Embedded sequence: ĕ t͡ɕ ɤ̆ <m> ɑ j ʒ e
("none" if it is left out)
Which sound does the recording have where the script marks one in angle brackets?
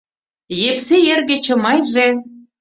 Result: m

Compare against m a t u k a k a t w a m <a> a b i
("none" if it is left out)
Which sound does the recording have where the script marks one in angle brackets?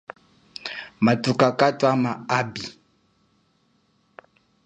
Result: a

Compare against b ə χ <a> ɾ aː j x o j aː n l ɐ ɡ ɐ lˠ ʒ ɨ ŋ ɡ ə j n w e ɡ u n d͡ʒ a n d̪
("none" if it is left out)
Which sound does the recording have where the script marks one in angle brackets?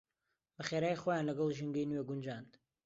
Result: e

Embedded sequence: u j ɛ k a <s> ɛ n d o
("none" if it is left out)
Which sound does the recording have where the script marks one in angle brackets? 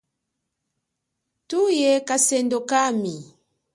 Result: s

